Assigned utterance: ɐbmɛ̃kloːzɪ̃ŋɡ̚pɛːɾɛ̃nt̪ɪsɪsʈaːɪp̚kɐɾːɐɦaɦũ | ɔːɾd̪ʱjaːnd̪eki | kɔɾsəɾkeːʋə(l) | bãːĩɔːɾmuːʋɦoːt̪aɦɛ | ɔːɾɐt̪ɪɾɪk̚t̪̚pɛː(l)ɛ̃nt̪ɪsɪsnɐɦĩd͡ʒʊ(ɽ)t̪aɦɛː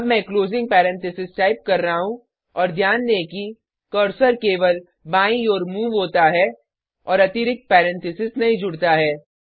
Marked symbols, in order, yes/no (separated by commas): yes, no, yes